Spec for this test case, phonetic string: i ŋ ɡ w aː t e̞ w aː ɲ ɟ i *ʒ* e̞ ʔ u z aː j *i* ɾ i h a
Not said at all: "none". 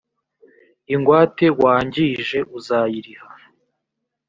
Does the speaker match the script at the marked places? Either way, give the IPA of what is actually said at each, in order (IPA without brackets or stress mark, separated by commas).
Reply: ʒ, i